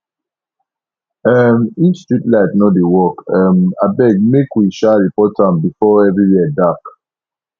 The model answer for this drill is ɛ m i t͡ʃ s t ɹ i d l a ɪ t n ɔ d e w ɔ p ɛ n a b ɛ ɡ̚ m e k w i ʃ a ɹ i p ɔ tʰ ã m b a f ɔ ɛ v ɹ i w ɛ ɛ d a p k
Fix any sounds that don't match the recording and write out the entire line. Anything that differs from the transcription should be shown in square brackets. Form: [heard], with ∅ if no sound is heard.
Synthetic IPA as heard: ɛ m i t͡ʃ s t ɹ i [t] l a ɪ t n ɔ d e w ɔ [k] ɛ [m] a b ɛ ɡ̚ m e k w i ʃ a ɹ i p ɔ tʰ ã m b [i] f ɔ ɛ v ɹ i w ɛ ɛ d a [∅] k